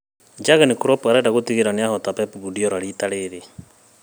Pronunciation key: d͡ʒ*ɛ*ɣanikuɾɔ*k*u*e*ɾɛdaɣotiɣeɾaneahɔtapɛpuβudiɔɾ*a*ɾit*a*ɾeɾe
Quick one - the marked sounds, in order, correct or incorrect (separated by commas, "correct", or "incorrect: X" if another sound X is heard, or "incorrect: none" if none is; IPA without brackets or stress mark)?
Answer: incorrect: a, incorrect: p, incorrect: a, correct, correct